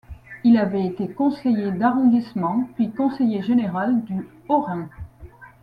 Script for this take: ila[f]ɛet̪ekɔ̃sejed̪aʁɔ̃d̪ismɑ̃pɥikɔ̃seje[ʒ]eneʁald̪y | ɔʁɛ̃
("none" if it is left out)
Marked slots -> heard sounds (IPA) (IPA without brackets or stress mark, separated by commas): v, ʒ